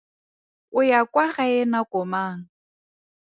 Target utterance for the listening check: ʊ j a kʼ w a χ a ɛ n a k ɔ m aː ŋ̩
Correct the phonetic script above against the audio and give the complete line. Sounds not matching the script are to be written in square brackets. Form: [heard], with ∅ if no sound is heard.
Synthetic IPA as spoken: ʊ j a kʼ w a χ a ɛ n a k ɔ m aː ŋ̩